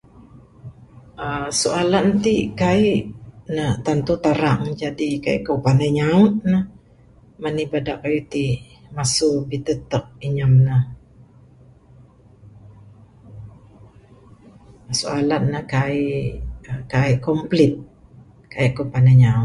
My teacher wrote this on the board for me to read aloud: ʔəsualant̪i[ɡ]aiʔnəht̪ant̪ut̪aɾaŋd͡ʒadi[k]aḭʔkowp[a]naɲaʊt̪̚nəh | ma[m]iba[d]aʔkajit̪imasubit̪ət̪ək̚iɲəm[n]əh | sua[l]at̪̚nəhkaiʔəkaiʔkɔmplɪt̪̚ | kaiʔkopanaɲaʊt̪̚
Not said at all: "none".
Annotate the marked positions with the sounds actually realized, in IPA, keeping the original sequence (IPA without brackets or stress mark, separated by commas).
k, k, a, n, d, n, l